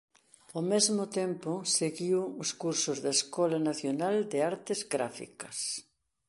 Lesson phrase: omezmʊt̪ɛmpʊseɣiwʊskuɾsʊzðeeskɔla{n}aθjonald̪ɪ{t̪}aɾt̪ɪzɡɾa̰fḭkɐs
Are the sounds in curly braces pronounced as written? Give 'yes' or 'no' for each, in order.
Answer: yes, no

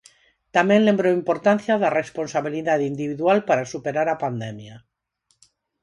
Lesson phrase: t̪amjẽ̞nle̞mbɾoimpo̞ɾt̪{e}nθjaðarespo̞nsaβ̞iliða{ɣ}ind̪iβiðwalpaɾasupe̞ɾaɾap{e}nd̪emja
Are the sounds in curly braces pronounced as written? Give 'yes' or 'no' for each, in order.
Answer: no, no, no

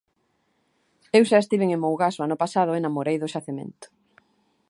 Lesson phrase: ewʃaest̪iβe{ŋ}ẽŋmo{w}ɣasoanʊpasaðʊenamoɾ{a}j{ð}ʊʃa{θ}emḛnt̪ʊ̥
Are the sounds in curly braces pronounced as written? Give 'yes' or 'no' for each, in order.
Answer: yes, yes, no, yes, yes

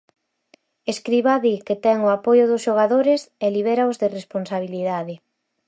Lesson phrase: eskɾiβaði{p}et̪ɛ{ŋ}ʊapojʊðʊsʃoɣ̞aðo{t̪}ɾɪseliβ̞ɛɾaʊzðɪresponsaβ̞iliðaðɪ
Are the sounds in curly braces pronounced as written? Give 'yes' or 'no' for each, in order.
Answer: no, yes, no

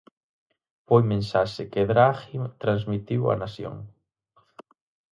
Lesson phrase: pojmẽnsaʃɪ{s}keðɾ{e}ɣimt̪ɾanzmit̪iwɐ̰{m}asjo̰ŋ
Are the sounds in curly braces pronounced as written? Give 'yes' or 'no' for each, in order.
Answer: no, no, no

